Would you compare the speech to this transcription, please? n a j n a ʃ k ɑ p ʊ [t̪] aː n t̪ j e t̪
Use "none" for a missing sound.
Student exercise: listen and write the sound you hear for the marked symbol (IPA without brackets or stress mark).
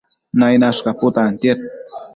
t̪